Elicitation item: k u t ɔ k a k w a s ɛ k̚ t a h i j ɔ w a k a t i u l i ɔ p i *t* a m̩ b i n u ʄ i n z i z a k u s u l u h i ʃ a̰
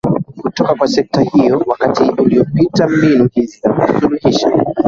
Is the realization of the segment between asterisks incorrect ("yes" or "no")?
no